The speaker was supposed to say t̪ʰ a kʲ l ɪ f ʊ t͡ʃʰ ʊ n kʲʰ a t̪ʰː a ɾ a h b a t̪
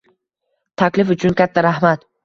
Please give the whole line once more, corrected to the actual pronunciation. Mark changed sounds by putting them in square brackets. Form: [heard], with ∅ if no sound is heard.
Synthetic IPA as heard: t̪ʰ a kʲ l ɪ f ʊ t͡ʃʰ ʊ n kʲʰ a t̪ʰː a ɾ a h [m] a t̪